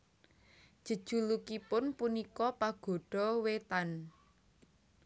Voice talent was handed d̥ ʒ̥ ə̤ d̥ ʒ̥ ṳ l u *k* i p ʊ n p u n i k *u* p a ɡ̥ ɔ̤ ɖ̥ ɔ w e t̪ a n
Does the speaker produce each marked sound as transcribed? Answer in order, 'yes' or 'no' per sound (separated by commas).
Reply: yes, no